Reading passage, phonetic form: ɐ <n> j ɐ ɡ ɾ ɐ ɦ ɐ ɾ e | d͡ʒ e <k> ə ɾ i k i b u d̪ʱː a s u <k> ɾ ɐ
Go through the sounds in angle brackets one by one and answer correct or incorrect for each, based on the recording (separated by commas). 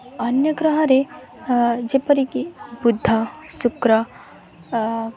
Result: correct, incorrect, correct